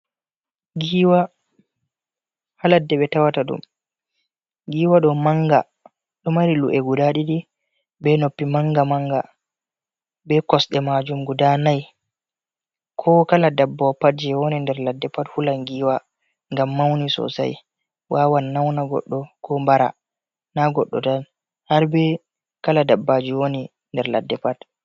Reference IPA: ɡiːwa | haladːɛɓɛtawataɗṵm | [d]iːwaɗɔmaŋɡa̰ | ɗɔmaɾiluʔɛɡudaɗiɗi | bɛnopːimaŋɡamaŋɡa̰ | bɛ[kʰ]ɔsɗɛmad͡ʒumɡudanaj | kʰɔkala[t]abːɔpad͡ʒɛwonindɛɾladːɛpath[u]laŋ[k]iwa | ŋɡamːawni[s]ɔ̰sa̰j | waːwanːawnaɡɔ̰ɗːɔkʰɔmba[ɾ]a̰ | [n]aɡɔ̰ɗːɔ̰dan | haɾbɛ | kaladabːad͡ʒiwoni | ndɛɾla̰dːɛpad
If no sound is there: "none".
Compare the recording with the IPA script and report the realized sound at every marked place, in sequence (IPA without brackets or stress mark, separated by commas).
ɡ, k, d, u, ɡ, s, ɾ, n